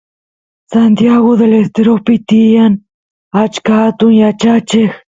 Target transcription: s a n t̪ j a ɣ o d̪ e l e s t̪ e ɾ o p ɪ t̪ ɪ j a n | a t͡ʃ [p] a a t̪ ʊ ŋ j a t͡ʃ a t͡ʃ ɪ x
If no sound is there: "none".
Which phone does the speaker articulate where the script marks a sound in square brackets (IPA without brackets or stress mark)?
k